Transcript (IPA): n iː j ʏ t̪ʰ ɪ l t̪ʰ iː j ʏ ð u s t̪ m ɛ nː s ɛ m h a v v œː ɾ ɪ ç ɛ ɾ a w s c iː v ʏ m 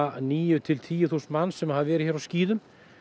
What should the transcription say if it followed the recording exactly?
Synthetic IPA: n iː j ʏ t̪ʰ ɪ l t̪ʰ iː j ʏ θ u s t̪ m a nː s ɛ m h a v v ɛː ɾ ɪ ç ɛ ɾ a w s c iː ð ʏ m